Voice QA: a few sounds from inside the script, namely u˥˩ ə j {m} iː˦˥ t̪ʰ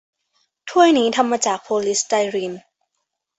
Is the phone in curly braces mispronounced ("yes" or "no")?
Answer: yes